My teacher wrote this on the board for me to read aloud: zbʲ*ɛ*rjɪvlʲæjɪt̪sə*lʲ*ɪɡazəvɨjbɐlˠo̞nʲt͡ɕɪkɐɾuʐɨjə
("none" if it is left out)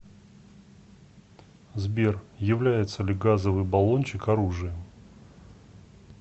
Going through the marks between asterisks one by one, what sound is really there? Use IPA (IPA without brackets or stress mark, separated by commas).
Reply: e, lʲ